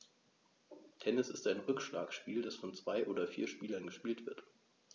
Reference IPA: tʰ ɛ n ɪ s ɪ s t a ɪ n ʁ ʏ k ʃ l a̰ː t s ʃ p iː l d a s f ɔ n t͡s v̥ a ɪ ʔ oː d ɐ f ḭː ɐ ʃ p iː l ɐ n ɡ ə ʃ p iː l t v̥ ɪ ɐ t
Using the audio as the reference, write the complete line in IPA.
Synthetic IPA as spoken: tʰ ɛ n ɪ s ɪ s t a ɪ n ʁ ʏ k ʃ l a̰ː k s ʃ p iː l d a s f ɔ n t͡s v̥ a ɪ ʔ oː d ɐ f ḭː ɐ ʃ p iː l ɐ n ɡ ə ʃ p iː l t v̥ ɪ ɐ t